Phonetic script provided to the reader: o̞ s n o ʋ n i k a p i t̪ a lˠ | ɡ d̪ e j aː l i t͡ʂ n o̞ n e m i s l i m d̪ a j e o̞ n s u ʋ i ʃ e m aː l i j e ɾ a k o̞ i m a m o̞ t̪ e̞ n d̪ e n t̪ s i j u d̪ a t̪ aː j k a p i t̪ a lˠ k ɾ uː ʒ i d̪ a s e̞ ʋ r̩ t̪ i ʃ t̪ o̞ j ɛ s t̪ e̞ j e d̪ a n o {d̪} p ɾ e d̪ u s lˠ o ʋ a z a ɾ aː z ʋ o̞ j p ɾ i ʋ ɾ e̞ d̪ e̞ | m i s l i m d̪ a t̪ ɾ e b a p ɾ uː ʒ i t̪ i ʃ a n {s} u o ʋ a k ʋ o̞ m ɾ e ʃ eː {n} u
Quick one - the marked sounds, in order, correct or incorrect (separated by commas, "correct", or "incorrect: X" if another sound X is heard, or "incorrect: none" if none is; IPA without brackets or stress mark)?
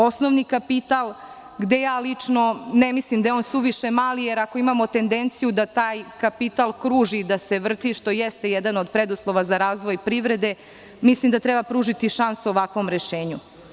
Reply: correct, correct, incorrect: ɲ